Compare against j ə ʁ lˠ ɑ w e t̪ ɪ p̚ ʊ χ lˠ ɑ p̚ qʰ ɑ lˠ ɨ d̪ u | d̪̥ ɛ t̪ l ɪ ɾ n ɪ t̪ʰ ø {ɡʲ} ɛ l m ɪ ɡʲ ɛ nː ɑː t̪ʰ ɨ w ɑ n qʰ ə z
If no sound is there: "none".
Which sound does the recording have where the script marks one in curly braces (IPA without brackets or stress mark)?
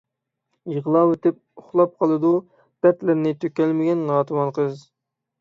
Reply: kʲ